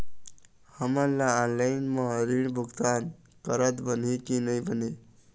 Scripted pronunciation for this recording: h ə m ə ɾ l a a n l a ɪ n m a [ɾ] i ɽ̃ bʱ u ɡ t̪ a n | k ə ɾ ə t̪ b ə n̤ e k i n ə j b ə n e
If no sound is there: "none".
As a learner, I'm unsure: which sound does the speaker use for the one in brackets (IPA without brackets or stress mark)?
ɾ